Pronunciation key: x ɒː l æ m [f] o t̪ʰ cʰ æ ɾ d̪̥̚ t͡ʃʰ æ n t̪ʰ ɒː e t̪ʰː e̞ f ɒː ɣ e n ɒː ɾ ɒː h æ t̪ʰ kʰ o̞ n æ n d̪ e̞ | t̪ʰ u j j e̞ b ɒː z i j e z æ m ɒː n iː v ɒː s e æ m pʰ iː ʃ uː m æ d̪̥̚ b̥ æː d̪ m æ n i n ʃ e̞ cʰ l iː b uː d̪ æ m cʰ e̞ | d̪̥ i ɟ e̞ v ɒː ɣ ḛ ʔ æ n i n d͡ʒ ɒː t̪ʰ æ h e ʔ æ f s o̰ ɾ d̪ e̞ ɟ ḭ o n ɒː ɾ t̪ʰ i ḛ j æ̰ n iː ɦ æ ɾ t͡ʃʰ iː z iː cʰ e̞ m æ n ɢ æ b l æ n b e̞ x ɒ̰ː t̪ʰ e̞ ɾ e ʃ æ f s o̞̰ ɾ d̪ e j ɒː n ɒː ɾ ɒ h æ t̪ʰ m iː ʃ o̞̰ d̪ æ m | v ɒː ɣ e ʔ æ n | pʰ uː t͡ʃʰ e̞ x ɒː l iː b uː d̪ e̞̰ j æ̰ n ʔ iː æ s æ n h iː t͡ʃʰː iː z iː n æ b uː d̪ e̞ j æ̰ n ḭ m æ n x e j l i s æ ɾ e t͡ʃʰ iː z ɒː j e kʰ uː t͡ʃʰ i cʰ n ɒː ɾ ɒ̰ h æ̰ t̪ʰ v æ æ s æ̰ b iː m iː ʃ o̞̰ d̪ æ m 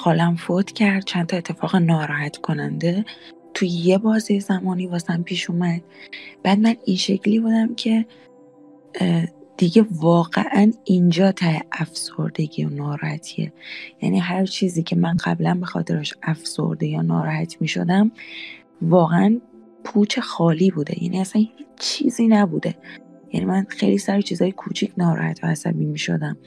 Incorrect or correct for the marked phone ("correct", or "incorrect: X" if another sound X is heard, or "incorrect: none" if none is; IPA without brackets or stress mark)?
correct